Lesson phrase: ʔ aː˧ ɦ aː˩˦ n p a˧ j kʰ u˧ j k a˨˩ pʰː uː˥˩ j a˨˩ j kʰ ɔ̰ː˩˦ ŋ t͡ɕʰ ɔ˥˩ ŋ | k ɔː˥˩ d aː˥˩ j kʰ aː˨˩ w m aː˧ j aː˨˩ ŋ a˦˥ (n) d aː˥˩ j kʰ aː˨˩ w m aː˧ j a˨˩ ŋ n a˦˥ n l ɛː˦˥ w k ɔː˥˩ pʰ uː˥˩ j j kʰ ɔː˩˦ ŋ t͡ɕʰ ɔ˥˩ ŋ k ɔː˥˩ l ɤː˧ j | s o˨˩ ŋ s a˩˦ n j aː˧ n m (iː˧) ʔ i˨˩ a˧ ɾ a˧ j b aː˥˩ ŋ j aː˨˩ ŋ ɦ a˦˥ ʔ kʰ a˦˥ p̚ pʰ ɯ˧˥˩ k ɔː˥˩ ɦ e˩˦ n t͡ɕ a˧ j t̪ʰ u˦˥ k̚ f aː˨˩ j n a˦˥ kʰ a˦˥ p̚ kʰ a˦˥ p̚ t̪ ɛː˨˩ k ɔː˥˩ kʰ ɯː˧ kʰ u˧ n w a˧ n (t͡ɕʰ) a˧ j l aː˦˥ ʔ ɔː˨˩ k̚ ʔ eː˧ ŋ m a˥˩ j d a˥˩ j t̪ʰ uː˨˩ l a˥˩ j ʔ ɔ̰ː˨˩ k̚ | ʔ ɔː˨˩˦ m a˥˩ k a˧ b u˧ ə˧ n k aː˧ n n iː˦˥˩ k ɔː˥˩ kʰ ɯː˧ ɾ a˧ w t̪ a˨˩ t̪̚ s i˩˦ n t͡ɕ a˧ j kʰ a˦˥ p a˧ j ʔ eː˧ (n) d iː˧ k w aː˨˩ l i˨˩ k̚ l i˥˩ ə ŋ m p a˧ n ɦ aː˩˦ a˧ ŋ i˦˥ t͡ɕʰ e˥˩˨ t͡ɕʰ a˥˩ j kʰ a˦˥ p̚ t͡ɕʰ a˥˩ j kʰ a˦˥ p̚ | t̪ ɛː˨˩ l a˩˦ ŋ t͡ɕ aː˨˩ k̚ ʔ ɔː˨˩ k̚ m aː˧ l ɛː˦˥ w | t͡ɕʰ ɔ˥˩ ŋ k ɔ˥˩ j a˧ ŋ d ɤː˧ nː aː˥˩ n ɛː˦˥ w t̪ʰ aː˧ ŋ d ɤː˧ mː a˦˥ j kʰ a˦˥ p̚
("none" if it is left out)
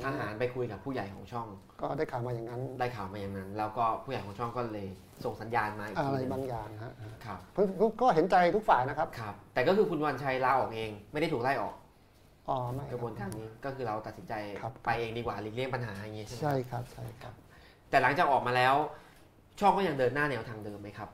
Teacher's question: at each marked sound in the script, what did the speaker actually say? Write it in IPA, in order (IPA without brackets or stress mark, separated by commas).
n, aː˧, t͡ɕʰ, ŋ